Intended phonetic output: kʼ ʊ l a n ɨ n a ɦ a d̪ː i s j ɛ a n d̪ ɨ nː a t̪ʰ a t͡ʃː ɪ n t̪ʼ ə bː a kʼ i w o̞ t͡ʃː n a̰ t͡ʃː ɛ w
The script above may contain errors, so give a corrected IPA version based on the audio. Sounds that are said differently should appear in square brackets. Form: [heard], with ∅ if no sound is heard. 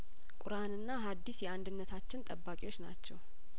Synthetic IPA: kʼ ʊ [ɾ] a n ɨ [nː] a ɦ a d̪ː i s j ɛ a n d̪ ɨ nː [ə] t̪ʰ a t͡ʃː ɪ n t̪ʼ ə bː a kʼ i w o̞ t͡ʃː n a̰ t͡ʃː ɛ w